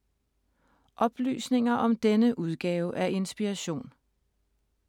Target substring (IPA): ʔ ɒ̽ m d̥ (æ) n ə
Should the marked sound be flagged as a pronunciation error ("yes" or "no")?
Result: yes